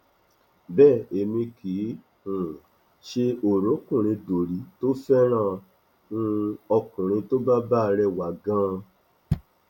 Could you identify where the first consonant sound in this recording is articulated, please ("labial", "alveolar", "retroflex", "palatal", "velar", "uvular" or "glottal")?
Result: labial